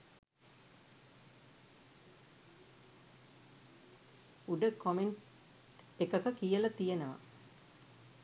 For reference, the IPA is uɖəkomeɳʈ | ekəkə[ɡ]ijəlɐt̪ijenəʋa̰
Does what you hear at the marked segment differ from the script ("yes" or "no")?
yes